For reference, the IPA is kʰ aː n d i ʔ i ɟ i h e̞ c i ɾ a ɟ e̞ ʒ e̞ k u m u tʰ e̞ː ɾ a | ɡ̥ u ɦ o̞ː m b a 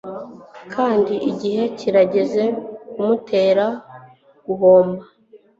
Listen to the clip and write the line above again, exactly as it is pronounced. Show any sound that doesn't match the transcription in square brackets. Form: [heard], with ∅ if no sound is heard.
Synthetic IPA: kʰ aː n d i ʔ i ɟ i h e̞ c i ɾ a ɟ e̞ [z] e̞ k u m u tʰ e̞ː ɾ a | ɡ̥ u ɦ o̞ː m b a